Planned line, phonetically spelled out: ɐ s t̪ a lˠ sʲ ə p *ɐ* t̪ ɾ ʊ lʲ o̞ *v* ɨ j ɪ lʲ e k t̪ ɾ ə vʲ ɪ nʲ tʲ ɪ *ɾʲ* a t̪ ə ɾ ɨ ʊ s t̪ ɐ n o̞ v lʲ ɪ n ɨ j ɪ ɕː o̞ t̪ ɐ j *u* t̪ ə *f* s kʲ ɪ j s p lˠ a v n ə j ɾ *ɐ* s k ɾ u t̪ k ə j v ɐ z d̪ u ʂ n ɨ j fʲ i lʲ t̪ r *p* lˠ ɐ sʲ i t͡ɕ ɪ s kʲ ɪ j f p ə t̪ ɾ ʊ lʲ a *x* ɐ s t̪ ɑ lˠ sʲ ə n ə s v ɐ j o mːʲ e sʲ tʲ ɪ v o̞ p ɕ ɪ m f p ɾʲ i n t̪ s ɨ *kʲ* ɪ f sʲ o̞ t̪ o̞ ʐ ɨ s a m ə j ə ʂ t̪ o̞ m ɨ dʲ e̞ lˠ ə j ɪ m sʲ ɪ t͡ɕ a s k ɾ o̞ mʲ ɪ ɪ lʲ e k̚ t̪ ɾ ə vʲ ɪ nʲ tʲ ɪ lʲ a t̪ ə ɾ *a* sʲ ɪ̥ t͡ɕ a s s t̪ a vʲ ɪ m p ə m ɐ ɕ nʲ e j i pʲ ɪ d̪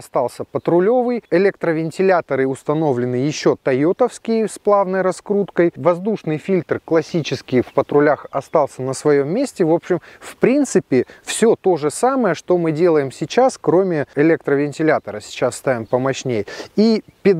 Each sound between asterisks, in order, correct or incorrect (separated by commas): incorrect, correct, incorrect, incorrect, correct, correct, incorrect, correct, incorrect, incorrect